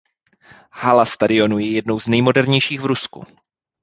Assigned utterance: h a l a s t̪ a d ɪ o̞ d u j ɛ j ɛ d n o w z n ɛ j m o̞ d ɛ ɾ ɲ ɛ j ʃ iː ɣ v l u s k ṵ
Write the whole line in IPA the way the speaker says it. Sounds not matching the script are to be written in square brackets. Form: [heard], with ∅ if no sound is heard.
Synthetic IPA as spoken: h a l a s t̪ a d ɪ o̞ [n] u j ɛ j ɛ d n o w z n ɛ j m o̞ d ɛ ɾ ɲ ɛ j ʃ iː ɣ v [ɾ] u s k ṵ